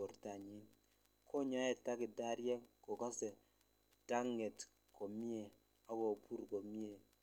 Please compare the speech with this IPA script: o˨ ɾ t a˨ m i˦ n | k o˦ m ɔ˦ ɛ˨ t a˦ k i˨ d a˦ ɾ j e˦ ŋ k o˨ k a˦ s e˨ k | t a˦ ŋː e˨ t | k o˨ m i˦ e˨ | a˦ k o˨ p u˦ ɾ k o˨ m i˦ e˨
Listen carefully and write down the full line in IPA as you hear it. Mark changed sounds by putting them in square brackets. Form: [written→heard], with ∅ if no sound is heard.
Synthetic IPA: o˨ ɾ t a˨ [m→ɲ] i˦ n | k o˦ [m→ɲ] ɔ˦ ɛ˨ t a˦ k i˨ d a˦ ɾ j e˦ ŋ k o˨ k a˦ s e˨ [k→∅] | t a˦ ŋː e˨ t | k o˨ m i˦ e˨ | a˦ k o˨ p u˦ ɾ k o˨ m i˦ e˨